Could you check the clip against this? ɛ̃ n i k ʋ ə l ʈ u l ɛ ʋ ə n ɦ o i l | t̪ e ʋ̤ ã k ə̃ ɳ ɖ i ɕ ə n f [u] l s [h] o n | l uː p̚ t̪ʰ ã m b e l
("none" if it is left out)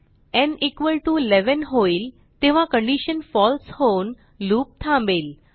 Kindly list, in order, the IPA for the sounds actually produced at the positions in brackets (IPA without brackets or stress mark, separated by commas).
ɔ, h